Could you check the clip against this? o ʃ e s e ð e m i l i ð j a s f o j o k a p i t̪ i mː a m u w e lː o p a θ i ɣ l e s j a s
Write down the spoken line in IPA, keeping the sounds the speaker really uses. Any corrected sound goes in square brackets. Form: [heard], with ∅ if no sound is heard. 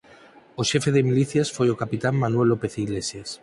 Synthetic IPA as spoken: o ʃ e [f] e ð e m i l i [θ] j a s f o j o k a p i t̪ [a] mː a [n] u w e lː o p [e] θ i ɣ l e s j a s